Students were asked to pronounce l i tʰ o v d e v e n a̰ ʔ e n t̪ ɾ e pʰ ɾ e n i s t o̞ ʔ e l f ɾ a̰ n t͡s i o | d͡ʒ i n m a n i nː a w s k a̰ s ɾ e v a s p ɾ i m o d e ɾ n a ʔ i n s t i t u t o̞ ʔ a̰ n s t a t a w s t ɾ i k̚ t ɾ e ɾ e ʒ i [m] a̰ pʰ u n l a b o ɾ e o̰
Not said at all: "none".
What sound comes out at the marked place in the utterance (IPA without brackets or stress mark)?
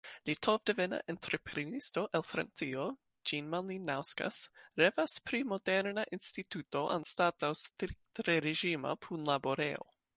m